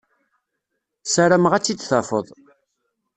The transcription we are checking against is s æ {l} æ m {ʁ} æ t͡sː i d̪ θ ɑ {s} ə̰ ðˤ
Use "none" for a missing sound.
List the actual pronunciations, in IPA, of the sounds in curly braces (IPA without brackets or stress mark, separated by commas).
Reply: ɾ, ʁ, f